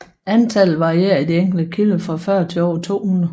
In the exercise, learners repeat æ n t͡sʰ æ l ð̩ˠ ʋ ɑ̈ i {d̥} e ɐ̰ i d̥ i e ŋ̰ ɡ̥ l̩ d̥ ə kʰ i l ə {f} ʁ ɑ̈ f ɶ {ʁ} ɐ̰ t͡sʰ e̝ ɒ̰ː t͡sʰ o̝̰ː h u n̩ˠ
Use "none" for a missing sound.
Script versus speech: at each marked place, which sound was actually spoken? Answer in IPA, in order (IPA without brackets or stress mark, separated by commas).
none, f, none